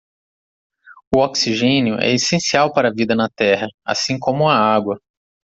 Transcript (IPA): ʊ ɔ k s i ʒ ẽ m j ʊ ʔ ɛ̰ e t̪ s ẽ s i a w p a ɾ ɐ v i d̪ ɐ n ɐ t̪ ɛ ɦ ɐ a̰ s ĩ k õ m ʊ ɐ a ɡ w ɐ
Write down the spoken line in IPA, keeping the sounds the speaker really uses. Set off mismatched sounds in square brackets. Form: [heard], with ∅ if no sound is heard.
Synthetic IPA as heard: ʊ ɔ k s i ʒ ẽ [n] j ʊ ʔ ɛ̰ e [∅] s ẽ s i a w p a ɾ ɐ v i d̪ ɐ n ɐ t̪ ɛ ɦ ɐ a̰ s ĩ k õ m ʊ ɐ a ɡ w ɐ